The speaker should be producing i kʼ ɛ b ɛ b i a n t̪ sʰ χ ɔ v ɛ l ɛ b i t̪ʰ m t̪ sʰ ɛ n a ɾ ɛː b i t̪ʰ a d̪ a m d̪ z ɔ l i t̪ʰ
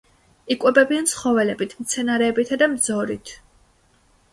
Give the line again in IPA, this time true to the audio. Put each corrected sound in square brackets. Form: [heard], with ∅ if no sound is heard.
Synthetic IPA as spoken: i kʼ ɛ b ɛ b i a n t̪ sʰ χ ɔ v ɛ l ɛ b i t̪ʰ m t̪ sʰ ɛ n a ɾ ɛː b i t̪ʰ a d̪ a m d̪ z ɔ [ɾ] i t̪ʰ

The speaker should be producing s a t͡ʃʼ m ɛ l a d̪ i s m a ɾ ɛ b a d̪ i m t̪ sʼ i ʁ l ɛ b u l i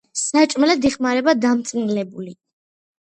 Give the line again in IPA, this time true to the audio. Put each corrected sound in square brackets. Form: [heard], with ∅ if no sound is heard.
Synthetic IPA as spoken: s a t͡ʃʼ m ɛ l a d̪ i [χ] m a ɾ ɛ b a d̪ [a] m t̪ sʼ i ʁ l ɛ b u l i

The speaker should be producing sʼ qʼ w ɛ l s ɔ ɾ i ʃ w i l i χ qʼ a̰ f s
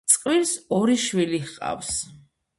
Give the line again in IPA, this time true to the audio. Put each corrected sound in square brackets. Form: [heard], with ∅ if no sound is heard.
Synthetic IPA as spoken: sʼ qʼ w [i] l s ɔ ɾ i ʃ w i l i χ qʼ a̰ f s

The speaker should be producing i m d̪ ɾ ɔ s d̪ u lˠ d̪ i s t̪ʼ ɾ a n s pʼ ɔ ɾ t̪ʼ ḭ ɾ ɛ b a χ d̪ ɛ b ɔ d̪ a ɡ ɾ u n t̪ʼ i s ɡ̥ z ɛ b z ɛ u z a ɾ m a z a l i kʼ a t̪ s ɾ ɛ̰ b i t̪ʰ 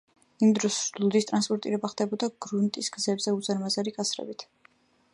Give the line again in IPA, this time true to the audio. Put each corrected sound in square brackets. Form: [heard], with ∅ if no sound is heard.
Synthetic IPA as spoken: i m d̪ ɾ ɔ s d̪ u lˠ d̪ i s t̪ʼ ɾ a n s pʼ ɔ ɾ t̪ʼ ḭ ɾ ɛ b a χ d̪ ɛ b ɔ d̪ a ɡ ɾ u n t̪ʼ i s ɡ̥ z ɛ b z ɛ u z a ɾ m a z a [ɾ] i kʼ a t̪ s ɾ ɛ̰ b i t̪ʰ

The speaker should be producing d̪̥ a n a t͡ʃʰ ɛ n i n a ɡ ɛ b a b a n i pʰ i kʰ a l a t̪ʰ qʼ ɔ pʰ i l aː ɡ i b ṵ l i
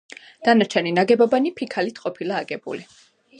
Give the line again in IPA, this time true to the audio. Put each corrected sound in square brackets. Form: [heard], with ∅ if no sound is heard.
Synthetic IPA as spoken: d̪̥ a n a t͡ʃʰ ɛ n i n a ɡ ɛ b a b a n i pʰ i kʰ a l [i] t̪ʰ qʼ ɔ pʰ i l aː ɡ [ɛ] b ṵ l i

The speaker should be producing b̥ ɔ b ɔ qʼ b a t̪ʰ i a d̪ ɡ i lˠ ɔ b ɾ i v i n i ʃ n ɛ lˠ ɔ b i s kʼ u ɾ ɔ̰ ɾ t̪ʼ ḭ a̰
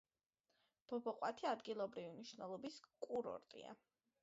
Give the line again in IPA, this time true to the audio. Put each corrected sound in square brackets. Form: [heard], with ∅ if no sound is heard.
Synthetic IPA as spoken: b̥ ɔ b ɔ qʼ [w] a t̪ʰ i a d̪ ɡ i lˠ ɔ b ɾ i v i n i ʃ n ɛ lˠ ɔ b i s kʼ u ɾ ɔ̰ ɾ t̪ʼ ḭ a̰

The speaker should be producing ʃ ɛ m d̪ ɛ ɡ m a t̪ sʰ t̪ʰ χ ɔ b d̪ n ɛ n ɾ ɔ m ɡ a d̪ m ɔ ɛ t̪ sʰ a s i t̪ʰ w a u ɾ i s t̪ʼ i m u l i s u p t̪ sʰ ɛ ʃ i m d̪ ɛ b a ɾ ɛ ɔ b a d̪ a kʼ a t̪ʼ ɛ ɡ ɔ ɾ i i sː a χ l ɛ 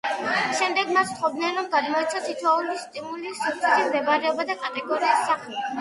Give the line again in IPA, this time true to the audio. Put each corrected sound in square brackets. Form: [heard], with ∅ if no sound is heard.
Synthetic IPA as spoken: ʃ ɛ m d̪ ɛ ɡ m a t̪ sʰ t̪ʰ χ ɔ b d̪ n ɛ n ɾ ɔ m ɡ a d̪ m ɔ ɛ t̪ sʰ a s i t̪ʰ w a u [l] i s t̪ʼ i m u l i s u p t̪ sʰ ɛ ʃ i m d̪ ɛ b a ɾ ɛ ɔ b a d̪ a kʼ a t̪ʼ ɛ ɡ ɔ ɾ i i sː a χ l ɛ

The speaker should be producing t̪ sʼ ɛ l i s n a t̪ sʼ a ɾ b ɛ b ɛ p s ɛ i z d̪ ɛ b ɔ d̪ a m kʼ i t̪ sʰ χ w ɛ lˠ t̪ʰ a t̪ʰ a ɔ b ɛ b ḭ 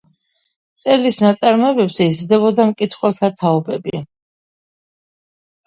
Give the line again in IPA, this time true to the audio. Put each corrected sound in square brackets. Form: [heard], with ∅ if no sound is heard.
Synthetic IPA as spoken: t̪ sʼ ɛ l i s n a t̪ sʼ a ɾ [m] ɛ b ɛ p s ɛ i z d̪ ɛ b ɔ d̪ a m kʼ i t̪ sʰ χ w ɛ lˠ t̪ʰ a t̪ʰ a ɔ b ɛ b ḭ

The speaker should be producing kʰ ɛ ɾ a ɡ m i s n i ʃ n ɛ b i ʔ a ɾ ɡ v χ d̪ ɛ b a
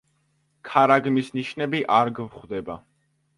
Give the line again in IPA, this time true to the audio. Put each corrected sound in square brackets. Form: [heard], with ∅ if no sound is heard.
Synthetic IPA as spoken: kʰ [a] ɾ a ɡ m i s n i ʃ n ɛ b i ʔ a ɾ ɡ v χ d̪ ɛ b a

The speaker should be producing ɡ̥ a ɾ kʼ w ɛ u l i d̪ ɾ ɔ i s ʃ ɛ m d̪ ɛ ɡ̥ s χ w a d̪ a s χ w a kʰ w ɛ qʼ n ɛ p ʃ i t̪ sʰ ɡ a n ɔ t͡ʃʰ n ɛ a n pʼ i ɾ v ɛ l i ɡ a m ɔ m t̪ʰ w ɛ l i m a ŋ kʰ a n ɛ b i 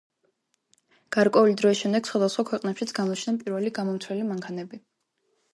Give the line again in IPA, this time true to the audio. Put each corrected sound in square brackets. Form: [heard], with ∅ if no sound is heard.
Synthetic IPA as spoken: ɡ̥ a ɾ kʼ w ɛ u l i d̪ ɾ ɔ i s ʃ ɛ m d̪ ɛ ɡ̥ s χ w a d̪ a s χ w a kʰ w ɛ qʼ n ɛ p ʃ i t̪ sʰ ɡ a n ɔ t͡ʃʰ n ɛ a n pʼ i ɾ v ɛ l i ɡ a m ɔ m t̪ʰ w ɛ l i m a ŋ kʰ a n ɛ b i

